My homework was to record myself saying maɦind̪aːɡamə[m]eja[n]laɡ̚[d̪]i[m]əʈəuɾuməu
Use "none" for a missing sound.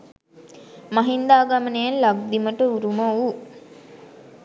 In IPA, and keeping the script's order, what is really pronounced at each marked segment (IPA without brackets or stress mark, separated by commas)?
n, n, d̪, m